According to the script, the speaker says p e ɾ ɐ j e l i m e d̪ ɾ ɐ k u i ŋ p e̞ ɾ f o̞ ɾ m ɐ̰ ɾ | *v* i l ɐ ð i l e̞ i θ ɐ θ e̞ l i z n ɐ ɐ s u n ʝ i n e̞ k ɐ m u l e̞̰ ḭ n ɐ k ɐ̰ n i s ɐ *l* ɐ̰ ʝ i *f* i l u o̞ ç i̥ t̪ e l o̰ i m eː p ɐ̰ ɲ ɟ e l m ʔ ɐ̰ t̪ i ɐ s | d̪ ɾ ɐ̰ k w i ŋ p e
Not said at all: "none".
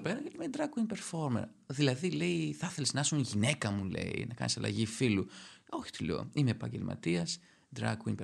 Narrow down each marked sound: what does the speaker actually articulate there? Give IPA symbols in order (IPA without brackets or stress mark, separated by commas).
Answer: ð, l, f